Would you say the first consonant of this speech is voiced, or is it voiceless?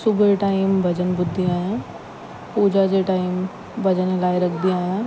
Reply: voiceless